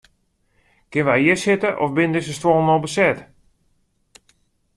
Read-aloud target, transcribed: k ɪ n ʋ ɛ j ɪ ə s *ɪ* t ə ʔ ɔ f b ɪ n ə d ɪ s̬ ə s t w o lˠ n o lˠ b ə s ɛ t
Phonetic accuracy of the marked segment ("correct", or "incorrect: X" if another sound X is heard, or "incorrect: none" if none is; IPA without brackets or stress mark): correct